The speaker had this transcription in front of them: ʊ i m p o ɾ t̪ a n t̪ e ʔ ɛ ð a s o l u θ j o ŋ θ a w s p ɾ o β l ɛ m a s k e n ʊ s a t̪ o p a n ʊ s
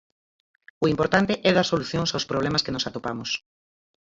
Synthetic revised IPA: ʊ i m p o ɾ t̪ a n t̪ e ʔ ɛ ð a s o l u θ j o ŋ s a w s p ɾ o β l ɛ m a s k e n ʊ s a t̪ o p a m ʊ s